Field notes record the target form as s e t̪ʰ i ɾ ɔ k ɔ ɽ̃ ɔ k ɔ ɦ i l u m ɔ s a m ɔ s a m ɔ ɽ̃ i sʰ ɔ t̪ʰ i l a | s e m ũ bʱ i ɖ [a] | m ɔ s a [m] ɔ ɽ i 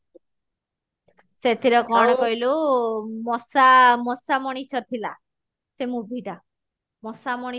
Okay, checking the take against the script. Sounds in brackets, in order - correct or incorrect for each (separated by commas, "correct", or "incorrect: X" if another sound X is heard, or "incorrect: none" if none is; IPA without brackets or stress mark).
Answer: correct, correct